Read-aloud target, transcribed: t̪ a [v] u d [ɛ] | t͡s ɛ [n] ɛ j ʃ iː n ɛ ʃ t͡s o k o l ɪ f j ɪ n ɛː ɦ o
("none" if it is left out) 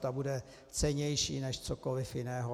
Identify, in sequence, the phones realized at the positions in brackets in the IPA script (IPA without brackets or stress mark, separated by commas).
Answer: b, ɛ, ɲ